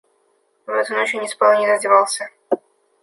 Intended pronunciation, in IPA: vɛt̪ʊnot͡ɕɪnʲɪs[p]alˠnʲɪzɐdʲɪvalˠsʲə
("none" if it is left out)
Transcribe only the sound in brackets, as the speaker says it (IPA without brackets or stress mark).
p